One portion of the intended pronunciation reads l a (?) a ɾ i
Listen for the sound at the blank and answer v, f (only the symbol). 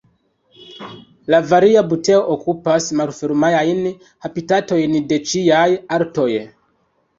v